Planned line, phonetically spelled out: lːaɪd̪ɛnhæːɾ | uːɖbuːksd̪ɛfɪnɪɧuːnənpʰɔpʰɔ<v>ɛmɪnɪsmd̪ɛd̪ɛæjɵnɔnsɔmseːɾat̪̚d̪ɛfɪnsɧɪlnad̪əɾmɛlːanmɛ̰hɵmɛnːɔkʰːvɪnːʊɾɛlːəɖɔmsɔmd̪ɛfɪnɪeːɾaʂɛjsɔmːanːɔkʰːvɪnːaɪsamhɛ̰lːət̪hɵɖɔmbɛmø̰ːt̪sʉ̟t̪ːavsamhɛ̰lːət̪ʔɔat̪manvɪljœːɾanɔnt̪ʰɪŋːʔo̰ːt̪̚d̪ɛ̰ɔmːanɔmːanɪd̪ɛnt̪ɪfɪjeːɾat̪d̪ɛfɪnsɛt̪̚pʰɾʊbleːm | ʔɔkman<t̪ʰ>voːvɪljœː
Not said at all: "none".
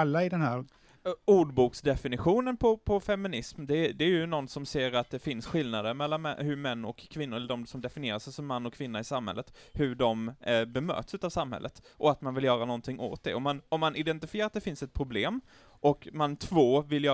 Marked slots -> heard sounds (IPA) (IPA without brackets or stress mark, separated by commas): f, t̪ʰ